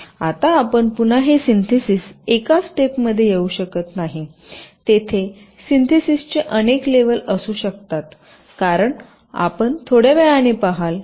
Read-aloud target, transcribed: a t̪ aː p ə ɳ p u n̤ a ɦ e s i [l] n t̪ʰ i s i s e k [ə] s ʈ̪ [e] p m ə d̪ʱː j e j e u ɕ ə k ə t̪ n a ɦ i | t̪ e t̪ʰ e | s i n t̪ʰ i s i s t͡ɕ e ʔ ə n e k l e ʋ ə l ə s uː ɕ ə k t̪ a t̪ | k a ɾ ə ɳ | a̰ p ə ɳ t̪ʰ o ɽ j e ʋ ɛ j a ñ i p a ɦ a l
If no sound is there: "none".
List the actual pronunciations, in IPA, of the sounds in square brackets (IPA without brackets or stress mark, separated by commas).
none, a, e